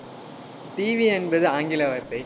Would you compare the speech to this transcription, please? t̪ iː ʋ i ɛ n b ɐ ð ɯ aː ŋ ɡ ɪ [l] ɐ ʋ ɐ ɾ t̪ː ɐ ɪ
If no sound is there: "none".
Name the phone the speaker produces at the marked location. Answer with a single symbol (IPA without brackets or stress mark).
l